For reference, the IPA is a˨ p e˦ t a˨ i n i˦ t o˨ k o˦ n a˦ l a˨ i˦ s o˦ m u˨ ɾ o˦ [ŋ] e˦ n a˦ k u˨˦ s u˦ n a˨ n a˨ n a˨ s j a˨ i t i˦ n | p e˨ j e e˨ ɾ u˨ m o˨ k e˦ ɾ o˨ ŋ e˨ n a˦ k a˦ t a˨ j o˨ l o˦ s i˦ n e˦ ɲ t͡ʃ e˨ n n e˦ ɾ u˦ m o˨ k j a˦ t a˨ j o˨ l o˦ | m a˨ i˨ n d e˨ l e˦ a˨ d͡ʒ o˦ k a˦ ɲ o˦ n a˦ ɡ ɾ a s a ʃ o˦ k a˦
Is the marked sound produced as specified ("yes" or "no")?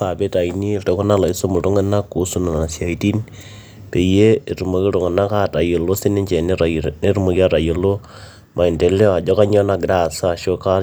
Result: yes